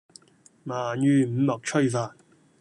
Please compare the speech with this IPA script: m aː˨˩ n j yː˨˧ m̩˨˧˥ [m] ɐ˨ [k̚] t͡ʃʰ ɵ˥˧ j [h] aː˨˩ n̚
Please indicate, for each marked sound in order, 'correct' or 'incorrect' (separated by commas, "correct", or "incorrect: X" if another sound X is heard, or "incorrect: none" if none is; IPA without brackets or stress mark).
correct, correct, incorrect: f